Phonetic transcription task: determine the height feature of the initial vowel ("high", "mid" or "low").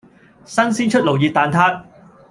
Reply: low